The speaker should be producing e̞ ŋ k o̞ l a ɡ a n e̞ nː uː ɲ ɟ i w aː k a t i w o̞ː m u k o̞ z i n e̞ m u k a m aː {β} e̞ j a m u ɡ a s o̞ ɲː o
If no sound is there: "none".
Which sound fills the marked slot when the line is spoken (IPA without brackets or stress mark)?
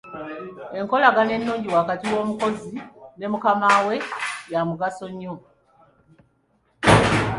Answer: w